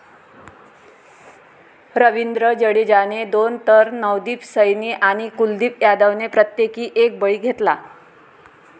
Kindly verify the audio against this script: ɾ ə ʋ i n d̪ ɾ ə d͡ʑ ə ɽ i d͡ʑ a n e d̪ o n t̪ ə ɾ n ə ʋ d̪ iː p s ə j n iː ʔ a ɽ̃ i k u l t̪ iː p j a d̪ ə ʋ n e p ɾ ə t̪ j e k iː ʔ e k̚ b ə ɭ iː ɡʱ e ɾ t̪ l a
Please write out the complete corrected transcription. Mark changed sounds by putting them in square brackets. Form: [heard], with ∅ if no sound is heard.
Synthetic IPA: ɾ ə ʋ i n d̪ ɾ ə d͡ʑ ə ɽ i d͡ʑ a n e d̪ o n t̪ ə ɾ n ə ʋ d̪ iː p s ə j n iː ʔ a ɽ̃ i k u l [d̪] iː p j a d̪ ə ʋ n e p ɾ ə t̪ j e k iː ʔ e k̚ b ə ɭ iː ɡʱ e [∅] t̪ l a

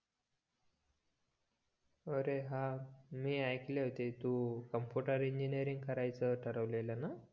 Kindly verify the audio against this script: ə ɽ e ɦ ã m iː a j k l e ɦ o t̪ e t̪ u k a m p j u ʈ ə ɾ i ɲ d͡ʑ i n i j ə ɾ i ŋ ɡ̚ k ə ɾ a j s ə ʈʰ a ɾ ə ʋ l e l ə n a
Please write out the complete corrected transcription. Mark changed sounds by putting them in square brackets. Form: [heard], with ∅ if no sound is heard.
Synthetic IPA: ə [ɾ] e ɦ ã m iː a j k l e ɦ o t̪ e t̪ u k [ə] m p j u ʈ ə ɾ i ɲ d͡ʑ i n i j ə ɾ i ŋ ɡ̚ k ə ɾ a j [t͡s] ə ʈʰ [ə] ɾ ə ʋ l e l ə n a

